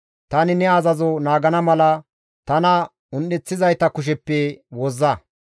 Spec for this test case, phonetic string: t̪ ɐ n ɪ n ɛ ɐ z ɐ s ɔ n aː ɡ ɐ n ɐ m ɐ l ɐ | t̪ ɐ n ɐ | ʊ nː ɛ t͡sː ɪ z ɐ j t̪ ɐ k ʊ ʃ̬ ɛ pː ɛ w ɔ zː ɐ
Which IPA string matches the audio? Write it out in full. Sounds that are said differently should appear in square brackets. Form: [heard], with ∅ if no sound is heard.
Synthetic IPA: t̪ ɐ n ɪ n ɛ ɐ z ɐ [z] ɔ n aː ɡ ɐ n ɐ m ɐ l ɐ | t̪ ɐ n ɐ | ʊ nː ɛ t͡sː ɪ z ɐ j t̪ ɐ k ʊ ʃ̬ ɛ pː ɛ w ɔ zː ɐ

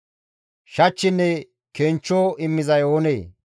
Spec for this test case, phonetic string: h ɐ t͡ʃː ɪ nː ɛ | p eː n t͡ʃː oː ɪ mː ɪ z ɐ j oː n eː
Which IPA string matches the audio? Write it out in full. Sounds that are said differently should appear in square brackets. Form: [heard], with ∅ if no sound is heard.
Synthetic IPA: [ʃ] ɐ t͡ʃː ɪ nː ɛ | [k] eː n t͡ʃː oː ɪ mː ɪ z ɐ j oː n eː

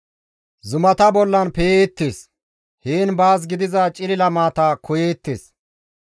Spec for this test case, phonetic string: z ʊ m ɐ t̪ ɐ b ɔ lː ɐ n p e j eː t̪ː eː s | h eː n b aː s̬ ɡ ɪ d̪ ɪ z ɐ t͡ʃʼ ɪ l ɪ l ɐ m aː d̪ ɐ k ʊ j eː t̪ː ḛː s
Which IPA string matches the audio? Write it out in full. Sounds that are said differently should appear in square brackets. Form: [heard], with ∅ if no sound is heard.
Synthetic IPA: z ʊ m ɐ t̪ ɐ b ɔ lː ɐ n p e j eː t̪ː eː s | h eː n b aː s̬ ɡ ɪ d̪ ɪ z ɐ t͡ʃʼ ɪ l ɪ l ɐ m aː [t̪] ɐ k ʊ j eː t̪ː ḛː s

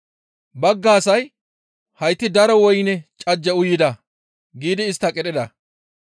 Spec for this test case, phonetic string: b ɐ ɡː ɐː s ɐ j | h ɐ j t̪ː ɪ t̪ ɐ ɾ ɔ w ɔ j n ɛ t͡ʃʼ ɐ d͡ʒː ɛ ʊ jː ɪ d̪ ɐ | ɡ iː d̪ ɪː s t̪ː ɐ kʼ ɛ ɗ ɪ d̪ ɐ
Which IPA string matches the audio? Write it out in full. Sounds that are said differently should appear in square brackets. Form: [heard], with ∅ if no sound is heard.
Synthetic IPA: b ɐ ɡː [aː] s ɐ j | h ɐ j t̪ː ɪ [d̪] ɐ ɾ ɔ w ɔ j n ɛ t͡ʃʼ ɐ d͡ʒː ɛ ʊ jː ɪ d̪ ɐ | ɡ iː d̪ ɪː s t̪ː ɐ kʼ ɛ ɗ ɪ d̪ ɐ

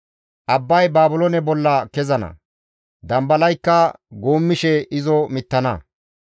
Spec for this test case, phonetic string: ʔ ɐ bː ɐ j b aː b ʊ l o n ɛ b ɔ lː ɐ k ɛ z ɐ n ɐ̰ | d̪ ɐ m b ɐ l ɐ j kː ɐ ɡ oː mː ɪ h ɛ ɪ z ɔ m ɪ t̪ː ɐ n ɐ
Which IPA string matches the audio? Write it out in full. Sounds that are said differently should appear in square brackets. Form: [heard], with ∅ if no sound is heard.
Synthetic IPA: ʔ ɐ bː ɐ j b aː b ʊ l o n ɛ b ɔ lː ɐ k ɛ z ɐ n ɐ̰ | d̪ ɐ m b ɐ l ɐ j kː ɐ ɡ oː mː ɪ [ʃ] ɛ ɪ z ɔ m ɪ t̪ː ɐ n ɐ

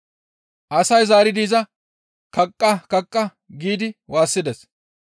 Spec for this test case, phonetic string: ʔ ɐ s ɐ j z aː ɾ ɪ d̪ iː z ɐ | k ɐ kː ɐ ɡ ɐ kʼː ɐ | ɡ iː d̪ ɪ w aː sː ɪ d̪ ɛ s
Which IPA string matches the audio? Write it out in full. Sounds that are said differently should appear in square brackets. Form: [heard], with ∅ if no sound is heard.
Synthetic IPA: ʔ ɐ s ɐ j z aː ɾ ɪ d̪ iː z ɐ | k ɐ [kʼː] ɐ [k] ɐ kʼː ɐ | ɡ iː d̪ ɪ w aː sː ɪ d̪ ɛ s

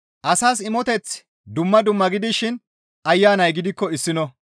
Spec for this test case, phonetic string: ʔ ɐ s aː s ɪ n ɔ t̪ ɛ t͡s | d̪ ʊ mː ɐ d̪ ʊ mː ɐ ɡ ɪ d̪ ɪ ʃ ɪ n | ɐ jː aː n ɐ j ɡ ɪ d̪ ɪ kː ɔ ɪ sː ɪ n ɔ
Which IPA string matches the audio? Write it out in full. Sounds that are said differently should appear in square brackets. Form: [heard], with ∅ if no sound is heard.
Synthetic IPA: ʔ ɐ s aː s ɪ [m] ɔ t̪ ɛ t͡s | d̪ ʊ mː ɐ d̪ ʊ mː ɐ ɡ ɪ d̪ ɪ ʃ ɪ n | ɐ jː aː n ɐ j ɡ ɪ d̪ ɪ kː ɔ ɪ sː ɪ n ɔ

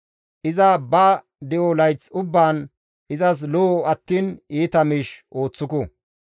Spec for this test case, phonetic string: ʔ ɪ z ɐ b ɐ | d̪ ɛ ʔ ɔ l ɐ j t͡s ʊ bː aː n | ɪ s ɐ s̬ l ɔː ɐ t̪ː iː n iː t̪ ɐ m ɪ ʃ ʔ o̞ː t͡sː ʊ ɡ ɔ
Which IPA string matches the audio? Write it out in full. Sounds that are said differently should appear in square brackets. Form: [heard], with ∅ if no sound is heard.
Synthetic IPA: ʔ ɪ z ɐ b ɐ | d̪ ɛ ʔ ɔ l ɐ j t͡s ʊ bː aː n | ɪ [z] ɐ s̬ l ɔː ɐ t̪ː iː n iː t̪ ɐ m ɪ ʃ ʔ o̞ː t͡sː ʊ [k] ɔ

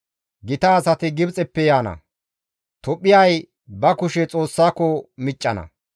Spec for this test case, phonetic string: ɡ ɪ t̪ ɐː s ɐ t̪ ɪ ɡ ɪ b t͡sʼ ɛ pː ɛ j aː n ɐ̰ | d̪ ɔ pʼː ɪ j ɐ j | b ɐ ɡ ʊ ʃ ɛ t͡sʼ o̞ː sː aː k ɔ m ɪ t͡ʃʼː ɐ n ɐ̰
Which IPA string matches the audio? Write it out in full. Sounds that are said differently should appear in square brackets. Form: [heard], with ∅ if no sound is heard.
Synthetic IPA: ɡ ɪ t̪ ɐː s ɐ t̪ ɪ ɡ ɪ b t͡sʼ ɛ pː ɛ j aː n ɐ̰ | [t̪] ɔ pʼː ɪ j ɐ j | b ɐ [k] ʊ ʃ ɛ t͡sʼ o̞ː sː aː k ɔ m ɪ t͡ʃʼː ɐ n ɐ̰

